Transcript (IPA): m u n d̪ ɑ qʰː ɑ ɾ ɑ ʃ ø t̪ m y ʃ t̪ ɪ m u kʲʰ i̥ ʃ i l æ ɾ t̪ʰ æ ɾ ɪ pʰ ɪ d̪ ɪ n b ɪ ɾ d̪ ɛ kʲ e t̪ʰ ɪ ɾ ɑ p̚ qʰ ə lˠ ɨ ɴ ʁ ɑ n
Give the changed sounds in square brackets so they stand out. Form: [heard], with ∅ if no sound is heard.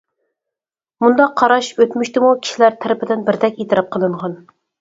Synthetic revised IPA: m u n d̪ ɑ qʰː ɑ ɾ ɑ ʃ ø t̪ m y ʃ t̪ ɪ m u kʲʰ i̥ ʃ i l æ ɾ t̪ʰ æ ɾ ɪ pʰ ɪ d̪ ɪ n b ɪ ɾ d̪ ɛ kʲ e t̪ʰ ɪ ɾ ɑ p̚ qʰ ə lˠ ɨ ɴ ʁ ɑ n